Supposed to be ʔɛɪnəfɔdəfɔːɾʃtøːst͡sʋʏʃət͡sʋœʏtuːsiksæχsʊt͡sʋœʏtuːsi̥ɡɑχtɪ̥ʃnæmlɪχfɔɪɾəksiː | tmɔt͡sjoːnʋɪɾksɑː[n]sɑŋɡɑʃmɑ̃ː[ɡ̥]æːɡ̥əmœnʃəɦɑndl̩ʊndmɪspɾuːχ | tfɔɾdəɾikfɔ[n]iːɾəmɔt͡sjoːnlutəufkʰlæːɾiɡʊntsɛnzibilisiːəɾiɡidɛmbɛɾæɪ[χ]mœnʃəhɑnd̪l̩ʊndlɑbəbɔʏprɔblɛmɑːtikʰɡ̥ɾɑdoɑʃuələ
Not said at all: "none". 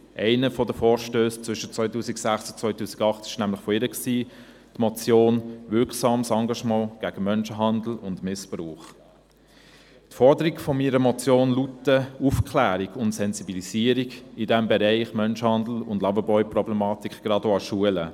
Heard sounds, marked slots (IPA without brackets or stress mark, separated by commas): m, ɡ̥, m, χ